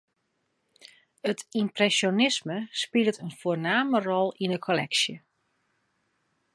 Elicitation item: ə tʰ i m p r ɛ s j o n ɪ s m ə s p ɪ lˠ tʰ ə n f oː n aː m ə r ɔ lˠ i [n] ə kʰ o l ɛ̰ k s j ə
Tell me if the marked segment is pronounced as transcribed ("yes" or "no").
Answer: yes